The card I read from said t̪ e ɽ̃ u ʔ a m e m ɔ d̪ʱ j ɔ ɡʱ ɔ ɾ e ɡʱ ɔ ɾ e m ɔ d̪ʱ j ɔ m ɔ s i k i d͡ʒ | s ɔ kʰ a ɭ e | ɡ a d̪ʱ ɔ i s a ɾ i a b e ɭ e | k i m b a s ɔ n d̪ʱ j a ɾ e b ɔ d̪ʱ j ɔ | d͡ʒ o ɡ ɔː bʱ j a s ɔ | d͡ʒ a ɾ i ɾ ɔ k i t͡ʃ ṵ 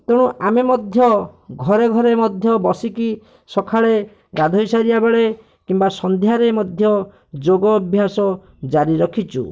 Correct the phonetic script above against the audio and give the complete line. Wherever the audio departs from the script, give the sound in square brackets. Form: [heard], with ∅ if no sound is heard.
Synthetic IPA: t̪ e ɽ̃ u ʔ a m e m ɔ d̪ʱ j ɔ ɡʱ ɔ ɾ e ɡʱ ɔ ɾ e m ɔ d̪ʱ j ɔ [b] ɔ s i k i [∅] | s ɔ kʰ a ɭ e | ɡ a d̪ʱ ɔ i s a ɾ i a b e ɭ e | k i m b a s ɔ n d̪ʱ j a ɾ e [m] ɔ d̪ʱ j ɔ | d͡ʒ o ɡ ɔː bʱ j a s ɔ | d͡ʒ a ɾ i ɾ ɔ [kʰ] i t͡ʃ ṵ